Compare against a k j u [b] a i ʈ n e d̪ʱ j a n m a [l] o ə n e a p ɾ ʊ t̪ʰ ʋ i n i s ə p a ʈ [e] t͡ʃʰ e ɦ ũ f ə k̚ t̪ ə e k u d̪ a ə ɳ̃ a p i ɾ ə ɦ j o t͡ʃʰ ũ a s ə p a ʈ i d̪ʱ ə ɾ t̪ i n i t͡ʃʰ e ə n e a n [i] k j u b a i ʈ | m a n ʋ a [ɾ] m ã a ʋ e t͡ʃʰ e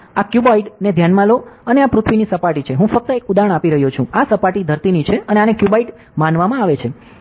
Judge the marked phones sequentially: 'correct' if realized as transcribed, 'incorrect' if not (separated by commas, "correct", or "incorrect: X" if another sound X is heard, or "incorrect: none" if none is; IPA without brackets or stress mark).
correct, correct, incorrect: i, incorrect: e, incorrect: none